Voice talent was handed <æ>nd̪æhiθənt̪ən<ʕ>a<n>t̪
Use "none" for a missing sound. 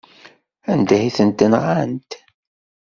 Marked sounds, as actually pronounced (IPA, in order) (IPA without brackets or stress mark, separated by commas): æ, ʁ, n